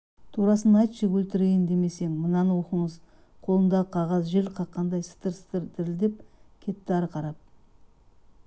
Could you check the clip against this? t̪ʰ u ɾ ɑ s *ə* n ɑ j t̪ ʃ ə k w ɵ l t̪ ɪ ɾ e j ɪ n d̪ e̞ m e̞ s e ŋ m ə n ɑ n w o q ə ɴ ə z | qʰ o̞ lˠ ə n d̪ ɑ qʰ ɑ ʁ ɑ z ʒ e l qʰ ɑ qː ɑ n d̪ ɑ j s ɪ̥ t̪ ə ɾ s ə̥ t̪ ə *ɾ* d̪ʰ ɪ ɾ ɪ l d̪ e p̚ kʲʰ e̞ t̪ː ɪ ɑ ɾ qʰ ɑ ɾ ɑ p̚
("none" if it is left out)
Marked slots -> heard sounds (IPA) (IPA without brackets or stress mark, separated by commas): ə, ɾ